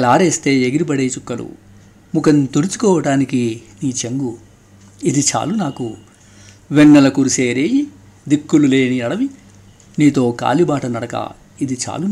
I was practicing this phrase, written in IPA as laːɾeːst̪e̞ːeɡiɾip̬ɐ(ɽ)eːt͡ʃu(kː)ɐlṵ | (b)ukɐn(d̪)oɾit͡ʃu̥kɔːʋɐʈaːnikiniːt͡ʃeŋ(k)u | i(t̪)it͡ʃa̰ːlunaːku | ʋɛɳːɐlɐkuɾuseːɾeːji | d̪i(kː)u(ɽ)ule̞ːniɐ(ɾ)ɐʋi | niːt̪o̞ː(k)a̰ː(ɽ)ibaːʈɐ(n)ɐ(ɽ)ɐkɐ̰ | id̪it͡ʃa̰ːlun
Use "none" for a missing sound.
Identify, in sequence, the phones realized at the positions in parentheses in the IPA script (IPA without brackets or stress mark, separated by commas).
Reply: ɽ, kː, m, t̪, ɡ, d̪, kː, l, ɽ, k, l, n, ɽ